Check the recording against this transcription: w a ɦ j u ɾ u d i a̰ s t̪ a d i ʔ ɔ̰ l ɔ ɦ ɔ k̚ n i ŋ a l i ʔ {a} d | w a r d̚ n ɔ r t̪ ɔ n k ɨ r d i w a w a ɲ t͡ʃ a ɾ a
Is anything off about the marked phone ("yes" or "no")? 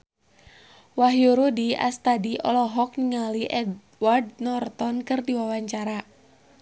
yes